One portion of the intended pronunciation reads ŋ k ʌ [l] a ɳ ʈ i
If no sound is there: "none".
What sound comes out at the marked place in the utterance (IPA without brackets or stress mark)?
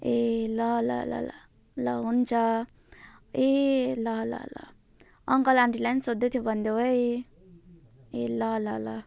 l